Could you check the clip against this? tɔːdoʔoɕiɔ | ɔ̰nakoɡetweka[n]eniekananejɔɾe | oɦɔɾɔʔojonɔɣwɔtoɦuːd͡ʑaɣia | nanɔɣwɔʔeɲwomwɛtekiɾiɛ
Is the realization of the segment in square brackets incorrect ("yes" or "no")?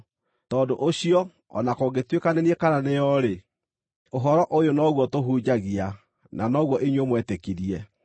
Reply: no